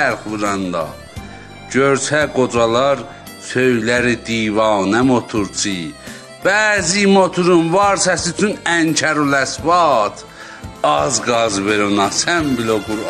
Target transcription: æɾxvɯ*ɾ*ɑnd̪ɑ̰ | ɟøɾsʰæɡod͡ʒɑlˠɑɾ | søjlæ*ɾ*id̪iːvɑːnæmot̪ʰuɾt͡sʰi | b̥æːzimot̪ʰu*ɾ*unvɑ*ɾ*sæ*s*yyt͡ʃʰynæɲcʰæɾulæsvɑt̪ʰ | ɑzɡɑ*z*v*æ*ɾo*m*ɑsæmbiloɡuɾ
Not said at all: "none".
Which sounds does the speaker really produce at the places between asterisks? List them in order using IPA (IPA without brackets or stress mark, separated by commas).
ɾ, ɾ, ɾ, ɾ, s, z, e, n